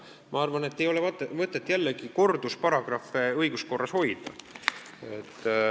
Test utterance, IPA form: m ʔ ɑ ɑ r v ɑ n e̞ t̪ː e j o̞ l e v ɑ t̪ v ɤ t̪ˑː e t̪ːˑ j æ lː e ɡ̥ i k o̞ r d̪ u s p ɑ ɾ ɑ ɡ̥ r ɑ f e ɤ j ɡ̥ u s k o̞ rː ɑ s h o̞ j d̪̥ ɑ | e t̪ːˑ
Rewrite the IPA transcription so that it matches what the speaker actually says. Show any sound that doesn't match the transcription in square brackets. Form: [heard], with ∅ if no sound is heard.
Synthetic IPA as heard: m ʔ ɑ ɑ r v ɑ n e̞ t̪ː e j o̞ l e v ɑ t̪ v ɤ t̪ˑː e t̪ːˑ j æ lː e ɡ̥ i k o̞ r d̪ u s p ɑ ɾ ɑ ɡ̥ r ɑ f e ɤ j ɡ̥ u s k o̞ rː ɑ s h o̞ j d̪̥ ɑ | e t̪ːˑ